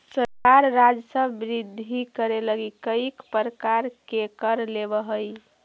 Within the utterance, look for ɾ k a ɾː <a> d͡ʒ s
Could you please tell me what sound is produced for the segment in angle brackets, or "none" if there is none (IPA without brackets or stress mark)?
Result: a